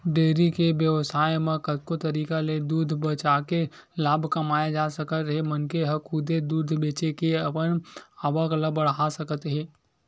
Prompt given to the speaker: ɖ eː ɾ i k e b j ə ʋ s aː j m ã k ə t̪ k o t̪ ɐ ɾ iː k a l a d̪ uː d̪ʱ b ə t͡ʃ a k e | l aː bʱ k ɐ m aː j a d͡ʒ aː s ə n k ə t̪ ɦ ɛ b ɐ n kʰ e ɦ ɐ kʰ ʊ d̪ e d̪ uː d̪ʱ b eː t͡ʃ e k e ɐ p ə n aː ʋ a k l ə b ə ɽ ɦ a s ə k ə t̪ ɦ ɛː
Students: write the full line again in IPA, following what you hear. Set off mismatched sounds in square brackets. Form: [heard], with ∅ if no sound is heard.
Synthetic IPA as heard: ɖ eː ɾ i k e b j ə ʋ s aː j m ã k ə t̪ k o t̪ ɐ ɾ iː k a l [e] d̪ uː d̪ʱ b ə t͡ʃ a k e | l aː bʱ k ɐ m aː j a d͡ʒ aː s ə [∅] k ə t̪ ɦ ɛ [m] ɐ n [k] e ɦ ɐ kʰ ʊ d̪ e d̪ uː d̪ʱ b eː t͡ʃ e k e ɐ p ə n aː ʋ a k l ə b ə ɽ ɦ a s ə k ə t̪ ɦ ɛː